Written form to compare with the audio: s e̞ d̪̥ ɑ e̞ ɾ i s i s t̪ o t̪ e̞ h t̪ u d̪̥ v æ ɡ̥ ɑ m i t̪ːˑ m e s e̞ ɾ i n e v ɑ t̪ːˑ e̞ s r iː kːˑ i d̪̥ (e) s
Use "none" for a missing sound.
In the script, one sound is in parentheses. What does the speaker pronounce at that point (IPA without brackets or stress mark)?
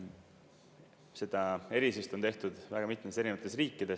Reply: e